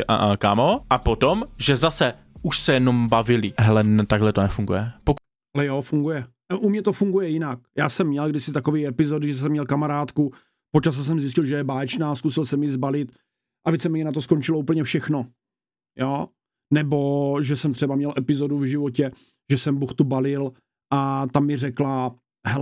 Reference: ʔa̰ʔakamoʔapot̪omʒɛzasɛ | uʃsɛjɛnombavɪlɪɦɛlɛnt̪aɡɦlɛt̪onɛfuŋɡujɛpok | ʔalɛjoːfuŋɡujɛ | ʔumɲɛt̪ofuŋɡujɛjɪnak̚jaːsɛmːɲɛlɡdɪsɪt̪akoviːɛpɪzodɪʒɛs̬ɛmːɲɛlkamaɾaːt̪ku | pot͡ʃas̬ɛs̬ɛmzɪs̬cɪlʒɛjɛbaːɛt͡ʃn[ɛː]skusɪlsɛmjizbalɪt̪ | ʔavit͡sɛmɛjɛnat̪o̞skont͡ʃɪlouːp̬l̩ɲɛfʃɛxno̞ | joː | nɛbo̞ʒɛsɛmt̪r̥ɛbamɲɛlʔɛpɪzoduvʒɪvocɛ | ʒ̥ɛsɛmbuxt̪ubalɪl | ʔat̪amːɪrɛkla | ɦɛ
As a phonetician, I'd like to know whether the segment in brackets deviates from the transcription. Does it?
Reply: yes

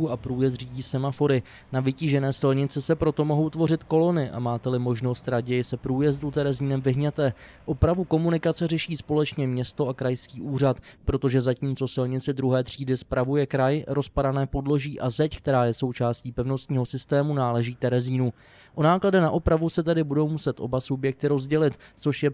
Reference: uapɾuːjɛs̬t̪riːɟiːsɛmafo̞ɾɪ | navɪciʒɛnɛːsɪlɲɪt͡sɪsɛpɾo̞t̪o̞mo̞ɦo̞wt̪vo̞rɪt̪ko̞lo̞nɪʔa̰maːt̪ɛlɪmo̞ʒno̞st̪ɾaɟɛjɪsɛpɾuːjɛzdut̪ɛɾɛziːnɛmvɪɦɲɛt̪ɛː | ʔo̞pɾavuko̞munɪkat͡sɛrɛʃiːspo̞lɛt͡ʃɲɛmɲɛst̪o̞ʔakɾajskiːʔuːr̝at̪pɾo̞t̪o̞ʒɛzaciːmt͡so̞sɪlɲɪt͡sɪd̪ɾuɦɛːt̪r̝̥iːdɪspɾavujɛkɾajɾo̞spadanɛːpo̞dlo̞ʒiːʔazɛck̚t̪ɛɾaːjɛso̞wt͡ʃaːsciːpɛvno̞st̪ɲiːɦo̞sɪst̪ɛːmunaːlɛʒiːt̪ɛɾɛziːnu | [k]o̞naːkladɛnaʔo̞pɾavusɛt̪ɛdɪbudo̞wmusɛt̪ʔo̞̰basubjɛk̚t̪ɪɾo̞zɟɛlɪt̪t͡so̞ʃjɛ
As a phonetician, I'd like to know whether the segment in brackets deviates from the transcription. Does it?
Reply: yes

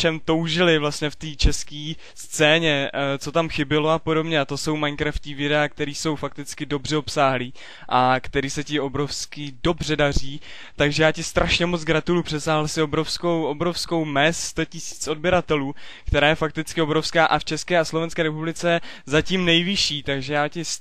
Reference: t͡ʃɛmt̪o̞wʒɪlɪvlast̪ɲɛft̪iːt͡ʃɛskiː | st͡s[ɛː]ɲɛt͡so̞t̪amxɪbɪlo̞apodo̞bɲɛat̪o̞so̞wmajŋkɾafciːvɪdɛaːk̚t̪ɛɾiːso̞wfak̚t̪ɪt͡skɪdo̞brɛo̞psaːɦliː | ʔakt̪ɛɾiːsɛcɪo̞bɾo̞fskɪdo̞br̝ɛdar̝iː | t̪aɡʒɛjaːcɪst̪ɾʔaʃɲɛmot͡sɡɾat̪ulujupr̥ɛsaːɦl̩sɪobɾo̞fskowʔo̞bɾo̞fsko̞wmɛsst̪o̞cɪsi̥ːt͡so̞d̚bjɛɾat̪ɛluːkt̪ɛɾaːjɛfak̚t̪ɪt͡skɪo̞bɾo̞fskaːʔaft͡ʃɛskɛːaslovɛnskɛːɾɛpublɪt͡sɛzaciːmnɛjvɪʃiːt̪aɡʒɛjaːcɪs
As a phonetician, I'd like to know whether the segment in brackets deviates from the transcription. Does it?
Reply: no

